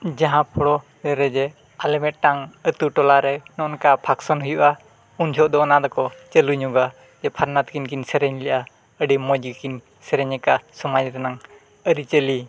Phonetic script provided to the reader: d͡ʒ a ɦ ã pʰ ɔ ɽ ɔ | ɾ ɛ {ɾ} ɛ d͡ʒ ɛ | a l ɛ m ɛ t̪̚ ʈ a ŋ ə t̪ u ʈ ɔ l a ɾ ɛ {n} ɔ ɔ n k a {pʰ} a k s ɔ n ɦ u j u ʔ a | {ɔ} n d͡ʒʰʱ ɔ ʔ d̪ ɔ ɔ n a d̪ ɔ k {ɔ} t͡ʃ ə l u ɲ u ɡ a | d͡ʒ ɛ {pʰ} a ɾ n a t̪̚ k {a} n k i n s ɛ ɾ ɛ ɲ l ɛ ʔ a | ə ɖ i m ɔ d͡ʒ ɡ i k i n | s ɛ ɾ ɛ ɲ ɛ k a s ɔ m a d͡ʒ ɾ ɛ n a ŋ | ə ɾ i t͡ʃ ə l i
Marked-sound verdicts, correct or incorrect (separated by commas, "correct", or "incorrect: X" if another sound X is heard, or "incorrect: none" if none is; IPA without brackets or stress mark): correct, correct, correct, incorrect: u, correct, correct, incorrect: i